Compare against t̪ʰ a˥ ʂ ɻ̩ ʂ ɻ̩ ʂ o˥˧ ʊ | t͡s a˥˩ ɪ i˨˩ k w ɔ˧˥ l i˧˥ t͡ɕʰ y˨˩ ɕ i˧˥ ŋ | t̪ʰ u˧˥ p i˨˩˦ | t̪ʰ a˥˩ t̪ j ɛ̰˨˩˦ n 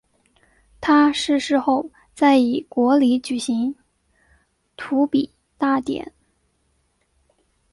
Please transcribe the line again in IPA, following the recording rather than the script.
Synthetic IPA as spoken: t̪ʰ a˥ ʂ ɻ̩ ʂ ɻ̩ x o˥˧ ʊ | t͡s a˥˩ ɪ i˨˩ k w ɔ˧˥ l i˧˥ t͡ɕ y˨˩ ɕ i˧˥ ŋ | t̪ʰ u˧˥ p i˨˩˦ | t̪ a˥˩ t̪ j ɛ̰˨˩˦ n